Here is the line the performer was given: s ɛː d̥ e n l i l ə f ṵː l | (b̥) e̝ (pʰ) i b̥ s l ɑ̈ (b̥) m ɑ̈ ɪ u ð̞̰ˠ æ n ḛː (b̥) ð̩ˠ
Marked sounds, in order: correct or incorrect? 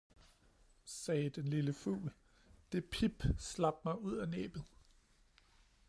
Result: incorrect, correct, correct, correct

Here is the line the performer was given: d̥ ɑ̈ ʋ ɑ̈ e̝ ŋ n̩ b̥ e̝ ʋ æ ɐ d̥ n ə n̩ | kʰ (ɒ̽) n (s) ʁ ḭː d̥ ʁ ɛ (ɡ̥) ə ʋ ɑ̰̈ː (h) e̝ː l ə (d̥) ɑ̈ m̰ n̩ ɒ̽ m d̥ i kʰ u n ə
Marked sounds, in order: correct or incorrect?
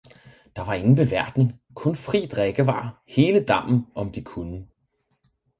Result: incorrect, incorrect, correct, correct, correct

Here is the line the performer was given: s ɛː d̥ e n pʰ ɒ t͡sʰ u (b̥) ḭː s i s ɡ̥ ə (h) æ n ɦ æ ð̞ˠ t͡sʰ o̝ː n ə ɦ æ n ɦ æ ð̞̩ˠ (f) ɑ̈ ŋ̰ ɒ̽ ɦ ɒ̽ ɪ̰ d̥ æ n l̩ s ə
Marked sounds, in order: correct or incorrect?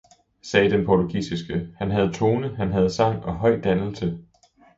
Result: incorrect, correct, incorrect

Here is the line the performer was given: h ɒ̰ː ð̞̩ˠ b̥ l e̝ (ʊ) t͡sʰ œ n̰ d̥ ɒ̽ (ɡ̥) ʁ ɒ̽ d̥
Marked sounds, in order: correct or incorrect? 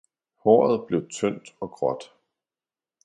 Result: correct, correct

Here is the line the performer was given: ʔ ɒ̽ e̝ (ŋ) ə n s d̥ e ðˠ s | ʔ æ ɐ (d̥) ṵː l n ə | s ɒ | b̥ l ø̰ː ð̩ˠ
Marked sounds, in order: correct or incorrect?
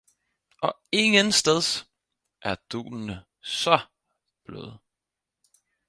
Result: correct, correct

